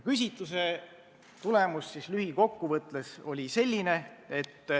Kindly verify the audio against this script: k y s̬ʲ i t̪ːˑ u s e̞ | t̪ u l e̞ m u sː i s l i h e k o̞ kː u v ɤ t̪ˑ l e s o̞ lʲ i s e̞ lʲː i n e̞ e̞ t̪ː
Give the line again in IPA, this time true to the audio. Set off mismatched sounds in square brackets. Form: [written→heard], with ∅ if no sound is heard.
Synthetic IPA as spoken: k y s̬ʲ i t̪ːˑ u s e̞ | t̪ u l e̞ m u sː i s l [i→y] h [e→i] k o̞ kː u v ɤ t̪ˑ l e s o̞ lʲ i s e̞ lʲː i n e̞ e̞ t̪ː